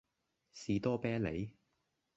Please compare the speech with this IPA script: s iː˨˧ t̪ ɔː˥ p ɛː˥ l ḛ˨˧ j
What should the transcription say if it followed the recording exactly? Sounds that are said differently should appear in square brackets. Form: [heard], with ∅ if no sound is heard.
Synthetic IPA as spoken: s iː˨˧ t̪ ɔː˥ p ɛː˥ l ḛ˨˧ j